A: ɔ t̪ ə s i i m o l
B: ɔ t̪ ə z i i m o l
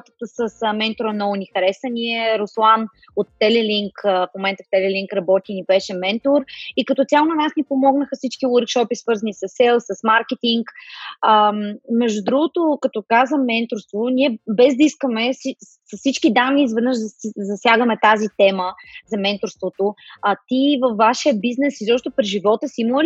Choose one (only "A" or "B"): A